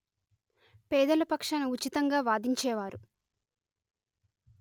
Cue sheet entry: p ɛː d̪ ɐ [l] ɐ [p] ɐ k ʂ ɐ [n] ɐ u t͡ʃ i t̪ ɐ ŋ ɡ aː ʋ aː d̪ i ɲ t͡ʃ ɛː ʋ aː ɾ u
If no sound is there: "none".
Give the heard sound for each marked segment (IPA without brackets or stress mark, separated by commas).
l, p, n